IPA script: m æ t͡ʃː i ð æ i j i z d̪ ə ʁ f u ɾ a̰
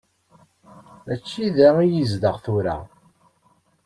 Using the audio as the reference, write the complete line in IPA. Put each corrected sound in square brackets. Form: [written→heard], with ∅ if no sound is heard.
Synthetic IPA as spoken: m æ t͡ʃː i ð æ i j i z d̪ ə ʁ [f→θ] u ɾ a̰